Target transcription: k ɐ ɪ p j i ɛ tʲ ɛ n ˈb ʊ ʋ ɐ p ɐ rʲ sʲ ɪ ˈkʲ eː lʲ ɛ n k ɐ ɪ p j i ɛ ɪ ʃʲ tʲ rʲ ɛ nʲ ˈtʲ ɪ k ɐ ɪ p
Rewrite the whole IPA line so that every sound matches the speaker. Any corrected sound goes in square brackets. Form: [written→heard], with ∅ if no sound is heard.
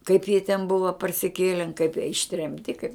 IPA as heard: k ɐ ɪ p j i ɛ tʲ ɛ n ˈb ʊ ʋ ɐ p ɐ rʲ sʲ ɪ ˈkʲ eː lʲ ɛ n k ɐ ɪ p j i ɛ ɪ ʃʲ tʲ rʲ ɛ [nʲ→mʲ] ˈtʲ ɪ k ɐ ɪ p